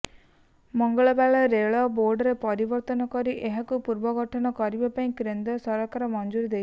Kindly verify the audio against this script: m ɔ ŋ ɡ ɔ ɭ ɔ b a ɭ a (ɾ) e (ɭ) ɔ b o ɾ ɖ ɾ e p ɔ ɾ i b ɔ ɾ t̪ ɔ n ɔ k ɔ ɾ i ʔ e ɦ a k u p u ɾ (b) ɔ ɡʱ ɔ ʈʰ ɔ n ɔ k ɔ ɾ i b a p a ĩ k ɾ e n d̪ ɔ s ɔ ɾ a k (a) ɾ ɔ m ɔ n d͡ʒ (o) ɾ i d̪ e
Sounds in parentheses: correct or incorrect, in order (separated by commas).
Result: correct, correct, correct, correct, incorrect